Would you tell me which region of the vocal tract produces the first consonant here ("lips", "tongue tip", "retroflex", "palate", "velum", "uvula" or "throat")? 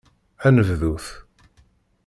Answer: tongue tip